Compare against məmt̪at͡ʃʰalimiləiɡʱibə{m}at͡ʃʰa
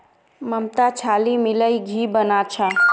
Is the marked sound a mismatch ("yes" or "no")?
yes